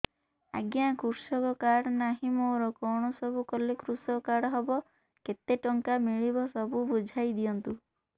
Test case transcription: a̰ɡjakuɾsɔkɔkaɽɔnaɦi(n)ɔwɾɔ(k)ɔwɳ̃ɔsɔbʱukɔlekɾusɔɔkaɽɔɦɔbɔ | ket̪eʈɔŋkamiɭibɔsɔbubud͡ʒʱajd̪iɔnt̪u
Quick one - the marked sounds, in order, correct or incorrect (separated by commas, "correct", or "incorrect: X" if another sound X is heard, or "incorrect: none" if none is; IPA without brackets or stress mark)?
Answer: incorrect: m, correct